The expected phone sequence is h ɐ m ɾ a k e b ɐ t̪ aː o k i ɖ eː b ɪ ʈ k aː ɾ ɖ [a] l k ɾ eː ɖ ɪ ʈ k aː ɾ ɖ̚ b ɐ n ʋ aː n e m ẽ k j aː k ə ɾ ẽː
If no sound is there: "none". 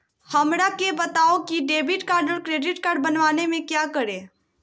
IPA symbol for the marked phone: ə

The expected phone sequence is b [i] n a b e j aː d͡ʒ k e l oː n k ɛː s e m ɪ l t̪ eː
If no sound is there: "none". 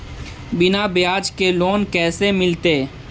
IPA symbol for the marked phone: ɪ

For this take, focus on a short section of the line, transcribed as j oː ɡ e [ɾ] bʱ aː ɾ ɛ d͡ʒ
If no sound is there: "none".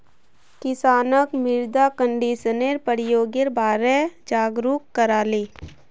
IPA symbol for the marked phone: ɾ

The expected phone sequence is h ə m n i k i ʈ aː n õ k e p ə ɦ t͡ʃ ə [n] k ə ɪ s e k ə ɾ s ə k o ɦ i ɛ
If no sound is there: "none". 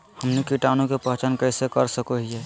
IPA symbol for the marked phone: n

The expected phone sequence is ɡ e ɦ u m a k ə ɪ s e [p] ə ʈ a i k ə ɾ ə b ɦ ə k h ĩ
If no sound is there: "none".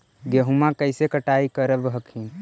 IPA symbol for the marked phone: k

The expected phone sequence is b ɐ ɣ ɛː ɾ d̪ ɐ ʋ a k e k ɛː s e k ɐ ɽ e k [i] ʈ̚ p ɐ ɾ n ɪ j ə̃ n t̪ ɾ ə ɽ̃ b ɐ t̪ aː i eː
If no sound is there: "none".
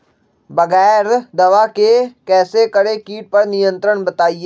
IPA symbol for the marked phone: iː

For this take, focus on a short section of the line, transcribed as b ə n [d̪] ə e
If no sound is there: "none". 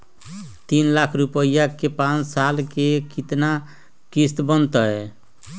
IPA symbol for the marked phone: t̪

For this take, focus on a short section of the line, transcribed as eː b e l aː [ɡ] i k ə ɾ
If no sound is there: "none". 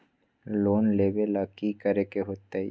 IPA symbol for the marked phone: k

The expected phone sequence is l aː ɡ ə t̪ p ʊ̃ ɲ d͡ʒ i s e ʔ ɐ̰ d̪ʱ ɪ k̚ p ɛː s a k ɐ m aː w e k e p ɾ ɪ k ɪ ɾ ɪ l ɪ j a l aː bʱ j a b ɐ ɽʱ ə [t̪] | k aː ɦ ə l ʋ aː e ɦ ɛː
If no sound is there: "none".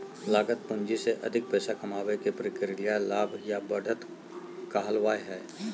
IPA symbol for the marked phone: t̪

